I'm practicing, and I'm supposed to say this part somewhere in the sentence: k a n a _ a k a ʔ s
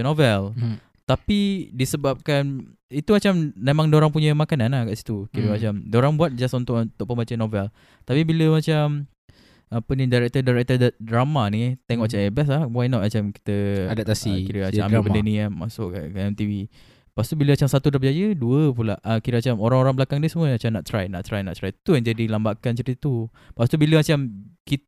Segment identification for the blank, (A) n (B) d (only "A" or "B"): A